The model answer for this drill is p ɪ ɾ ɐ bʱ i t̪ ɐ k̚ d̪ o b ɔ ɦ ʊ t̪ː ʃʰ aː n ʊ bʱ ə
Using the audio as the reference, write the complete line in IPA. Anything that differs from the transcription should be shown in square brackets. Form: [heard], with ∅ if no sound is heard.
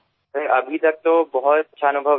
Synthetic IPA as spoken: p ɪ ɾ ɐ bʱ i t̪ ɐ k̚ [t̪] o b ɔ ɦ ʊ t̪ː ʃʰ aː n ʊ bʱ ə